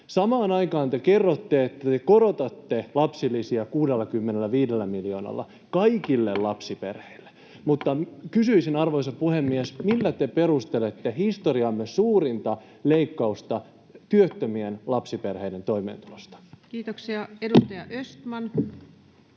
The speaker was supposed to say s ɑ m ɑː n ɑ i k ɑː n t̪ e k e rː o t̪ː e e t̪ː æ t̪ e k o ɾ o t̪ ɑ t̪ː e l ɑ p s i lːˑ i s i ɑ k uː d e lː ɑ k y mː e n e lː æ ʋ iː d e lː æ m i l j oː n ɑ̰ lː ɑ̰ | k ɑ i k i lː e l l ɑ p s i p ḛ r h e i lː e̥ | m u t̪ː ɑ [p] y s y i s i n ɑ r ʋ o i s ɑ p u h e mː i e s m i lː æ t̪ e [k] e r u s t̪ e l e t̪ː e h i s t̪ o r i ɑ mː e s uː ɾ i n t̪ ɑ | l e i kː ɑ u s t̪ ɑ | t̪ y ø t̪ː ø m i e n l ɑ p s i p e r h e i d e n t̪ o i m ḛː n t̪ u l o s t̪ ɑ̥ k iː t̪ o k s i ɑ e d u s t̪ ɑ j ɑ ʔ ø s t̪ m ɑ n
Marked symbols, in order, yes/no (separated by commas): no, no